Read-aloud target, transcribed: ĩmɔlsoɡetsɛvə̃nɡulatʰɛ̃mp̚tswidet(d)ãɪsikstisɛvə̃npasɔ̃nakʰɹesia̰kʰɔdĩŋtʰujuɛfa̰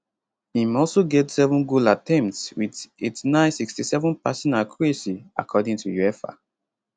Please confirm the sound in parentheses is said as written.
no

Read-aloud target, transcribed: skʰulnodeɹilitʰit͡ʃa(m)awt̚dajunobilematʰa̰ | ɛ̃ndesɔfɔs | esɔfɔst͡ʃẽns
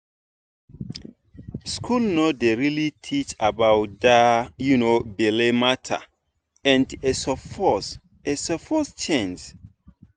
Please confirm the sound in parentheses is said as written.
no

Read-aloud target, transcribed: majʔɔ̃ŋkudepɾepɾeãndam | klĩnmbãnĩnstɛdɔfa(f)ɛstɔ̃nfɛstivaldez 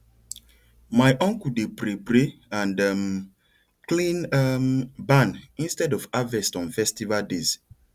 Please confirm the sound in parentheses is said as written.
no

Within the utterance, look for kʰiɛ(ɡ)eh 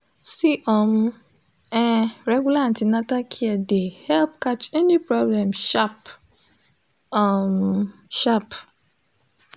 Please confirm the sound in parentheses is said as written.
no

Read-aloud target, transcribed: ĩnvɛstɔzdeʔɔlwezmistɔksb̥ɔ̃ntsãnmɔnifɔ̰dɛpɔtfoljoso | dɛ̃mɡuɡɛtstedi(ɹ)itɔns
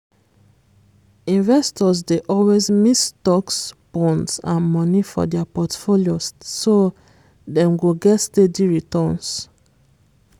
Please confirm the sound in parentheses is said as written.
yes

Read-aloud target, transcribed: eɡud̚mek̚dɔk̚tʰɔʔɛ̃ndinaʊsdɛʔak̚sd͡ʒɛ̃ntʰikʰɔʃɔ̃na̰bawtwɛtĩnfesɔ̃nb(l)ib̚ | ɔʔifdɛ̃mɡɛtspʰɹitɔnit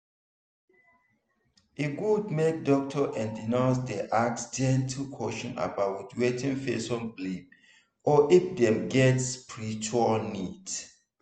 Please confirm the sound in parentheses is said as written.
yes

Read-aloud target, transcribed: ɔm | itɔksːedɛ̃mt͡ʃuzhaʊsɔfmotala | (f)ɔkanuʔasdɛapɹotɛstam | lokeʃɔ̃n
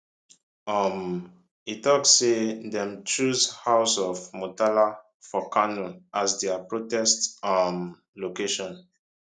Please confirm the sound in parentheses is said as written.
yes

